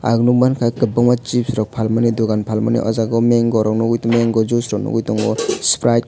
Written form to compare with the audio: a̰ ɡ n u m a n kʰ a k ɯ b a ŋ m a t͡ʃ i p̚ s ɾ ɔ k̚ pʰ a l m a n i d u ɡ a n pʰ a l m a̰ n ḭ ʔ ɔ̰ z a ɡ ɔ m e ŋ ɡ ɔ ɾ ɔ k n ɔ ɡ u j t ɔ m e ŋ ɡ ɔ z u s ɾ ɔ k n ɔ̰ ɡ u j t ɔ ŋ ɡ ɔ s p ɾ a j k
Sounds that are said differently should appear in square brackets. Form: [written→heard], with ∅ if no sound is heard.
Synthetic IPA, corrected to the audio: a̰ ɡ n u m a n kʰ a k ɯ b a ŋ m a t͡ʃ i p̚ s ɾ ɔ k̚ pʰ a l m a n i d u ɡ a n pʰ a l m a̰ n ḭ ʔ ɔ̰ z a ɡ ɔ m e ŋ ɡ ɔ ɾ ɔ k n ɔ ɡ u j t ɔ m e ŋ ɡ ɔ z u s ɾ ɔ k n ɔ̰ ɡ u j t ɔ ŋ ɡ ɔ s p ɾ a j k